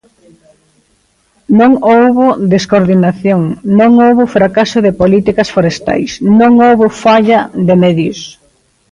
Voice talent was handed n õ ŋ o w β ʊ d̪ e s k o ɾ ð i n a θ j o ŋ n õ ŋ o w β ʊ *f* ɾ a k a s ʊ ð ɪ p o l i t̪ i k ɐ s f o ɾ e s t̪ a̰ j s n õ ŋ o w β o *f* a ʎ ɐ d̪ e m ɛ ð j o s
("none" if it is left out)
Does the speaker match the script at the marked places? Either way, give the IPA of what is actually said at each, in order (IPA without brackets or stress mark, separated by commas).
f, f